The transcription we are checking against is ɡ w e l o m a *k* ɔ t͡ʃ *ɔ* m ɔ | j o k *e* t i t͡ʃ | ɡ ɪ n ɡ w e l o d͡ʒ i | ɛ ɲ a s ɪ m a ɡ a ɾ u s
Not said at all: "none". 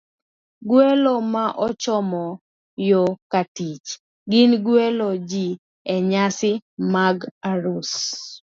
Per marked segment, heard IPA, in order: ʔ, ɔ, a

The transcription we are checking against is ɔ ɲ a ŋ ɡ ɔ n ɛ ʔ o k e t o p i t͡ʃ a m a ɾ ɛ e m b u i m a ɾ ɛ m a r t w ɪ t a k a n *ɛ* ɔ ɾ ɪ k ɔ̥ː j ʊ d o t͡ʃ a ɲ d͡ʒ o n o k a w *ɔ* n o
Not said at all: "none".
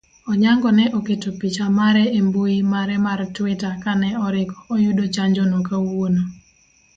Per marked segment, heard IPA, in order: ɛ, o

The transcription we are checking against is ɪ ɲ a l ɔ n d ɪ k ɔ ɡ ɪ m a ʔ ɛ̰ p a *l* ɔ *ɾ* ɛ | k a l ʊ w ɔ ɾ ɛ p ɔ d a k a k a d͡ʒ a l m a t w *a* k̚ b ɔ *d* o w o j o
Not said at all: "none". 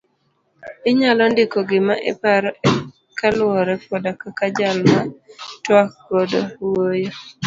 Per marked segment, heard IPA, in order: ɾ, none, a, d

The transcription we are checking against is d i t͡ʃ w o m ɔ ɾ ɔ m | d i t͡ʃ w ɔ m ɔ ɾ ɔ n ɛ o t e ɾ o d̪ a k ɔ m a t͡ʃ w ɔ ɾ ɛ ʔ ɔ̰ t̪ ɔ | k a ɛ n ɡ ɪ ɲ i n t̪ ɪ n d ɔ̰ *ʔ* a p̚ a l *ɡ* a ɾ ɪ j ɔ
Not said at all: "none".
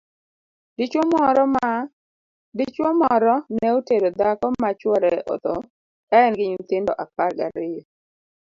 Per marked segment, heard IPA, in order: ʔ, ɡ

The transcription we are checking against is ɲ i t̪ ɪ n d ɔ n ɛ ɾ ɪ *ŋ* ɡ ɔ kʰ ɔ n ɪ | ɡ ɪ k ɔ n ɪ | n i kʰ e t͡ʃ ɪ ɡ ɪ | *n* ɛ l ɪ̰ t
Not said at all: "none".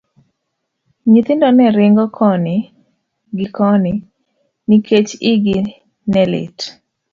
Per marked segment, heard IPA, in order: ŋ, n

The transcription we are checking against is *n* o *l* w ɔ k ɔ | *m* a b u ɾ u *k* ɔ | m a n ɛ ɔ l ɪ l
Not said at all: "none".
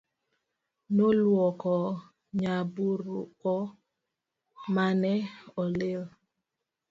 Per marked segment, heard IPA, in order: n, l, ɲ, k

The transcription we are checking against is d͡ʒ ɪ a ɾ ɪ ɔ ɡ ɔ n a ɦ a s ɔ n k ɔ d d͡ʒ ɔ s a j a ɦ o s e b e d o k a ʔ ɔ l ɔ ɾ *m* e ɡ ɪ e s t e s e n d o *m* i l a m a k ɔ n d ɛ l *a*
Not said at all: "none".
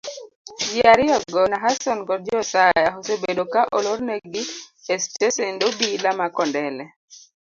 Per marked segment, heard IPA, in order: n, b, ɛ

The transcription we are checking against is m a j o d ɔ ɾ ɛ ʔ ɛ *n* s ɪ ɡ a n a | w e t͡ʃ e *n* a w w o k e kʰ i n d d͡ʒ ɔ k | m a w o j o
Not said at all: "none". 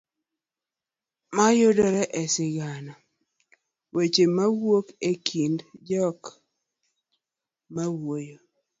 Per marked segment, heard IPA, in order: none, m

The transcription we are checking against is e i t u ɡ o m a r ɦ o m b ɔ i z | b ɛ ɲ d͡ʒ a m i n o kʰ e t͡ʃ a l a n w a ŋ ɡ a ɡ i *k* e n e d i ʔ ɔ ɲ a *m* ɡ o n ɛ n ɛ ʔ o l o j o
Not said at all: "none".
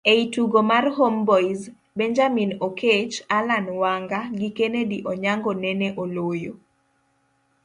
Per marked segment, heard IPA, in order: k, ŋ

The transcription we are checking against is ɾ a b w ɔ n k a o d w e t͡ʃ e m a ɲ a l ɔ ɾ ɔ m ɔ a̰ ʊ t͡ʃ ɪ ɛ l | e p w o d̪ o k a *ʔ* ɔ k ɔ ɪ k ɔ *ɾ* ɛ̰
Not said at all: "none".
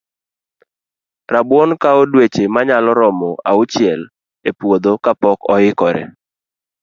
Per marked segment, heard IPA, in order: p, ɾ

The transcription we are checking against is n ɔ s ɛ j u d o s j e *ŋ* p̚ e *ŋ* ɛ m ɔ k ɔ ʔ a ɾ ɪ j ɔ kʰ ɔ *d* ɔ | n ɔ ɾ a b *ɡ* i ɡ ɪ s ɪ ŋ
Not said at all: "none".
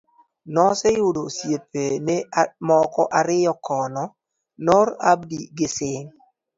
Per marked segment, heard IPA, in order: none, n, n, d

